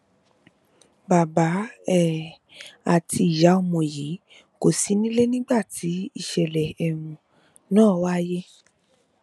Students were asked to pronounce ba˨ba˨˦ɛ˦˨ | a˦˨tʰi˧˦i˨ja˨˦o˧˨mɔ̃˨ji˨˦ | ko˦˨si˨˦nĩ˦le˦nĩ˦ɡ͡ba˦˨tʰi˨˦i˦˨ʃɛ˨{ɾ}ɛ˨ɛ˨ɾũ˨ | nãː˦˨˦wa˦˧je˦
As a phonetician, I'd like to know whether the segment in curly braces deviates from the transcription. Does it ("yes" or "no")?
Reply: yes